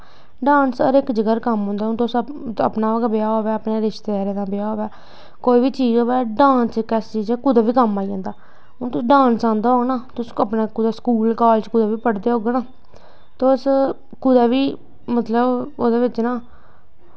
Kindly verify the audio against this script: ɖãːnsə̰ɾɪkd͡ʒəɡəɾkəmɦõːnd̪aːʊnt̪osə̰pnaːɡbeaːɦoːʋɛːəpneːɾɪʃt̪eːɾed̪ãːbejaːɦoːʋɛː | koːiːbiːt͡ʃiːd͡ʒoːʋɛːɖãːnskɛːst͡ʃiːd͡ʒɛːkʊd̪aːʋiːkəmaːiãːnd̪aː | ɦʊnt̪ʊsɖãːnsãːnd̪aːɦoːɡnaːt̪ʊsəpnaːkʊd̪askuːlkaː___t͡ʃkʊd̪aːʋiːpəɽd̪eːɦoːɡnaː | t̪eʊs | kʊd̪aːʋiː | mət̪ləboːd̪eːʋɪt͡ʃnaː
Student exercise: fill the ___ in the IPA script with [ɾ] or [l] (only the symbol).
l